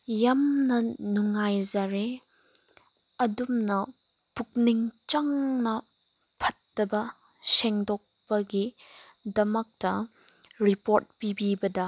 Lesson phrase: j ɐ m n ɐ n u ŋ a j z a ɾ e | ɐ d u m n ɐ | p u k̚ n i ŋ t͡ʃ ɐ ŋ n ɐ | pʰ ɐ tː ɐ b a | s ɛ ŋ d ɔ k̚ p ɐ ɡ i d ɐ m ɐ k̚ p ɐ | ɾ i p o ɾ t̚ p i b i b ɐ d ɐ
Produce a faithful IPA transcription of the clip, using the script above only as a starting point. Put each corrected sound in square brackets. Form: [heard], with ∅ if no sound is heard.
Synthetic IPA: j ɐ m n ɐ n u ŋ a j z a ɾ e | ɐ d u m n ɐ | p u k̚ n i ŋ t͡ʃ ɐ ŋ n ɐ | pʰ ɐ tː ɐ b [ɐ] | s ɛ ŋ d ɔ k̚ p ɐ ɡ i d ɐ m ɐ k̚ [t] ɐ | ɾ i p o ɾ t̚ p i b i b ɐ d ɐ